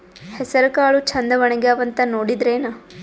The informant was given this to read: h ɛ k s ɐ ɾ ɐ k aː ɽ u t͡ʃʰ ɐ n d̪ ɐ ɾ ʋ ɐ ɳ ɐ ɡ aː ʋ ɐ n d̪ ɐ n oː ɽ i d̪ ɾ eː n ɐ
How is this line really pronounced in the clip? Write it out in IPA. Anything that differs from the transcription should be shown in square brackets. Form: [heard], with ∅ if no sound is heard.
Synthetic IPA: h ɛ [∅] s ɐ ɾ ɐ k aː [ɭ] u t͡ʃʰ ɐ n d̪ ɐ [∅] ʋ ɐ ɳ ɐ ɡ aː ʋ ɐ n [t̪] ɐ n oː ɽ i d̪ ɾ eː n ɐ